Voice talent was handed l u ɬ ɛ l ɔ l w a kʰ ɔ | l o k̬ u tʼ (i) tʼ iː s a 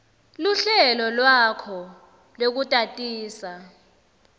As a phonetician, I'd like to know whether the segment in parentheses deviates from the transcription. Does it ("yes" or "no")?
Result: yes